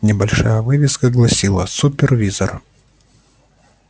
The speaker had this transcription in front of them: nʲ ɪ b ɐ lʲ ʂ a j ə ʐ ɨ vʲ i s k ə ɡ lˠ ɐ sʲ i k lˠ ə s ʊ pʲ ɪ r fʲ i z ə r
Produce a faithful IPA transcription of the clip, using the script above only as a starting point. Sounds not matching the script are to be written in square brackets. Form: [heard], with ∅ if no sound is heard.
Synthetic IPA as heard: nʲ ɪ b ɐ lʲ ʂ a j ə [v] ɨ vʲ [ɪ] s k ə ɡ lˠ ɐ sʲ i [∅] lˠ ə s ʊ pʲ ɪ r [vʲ] i z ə r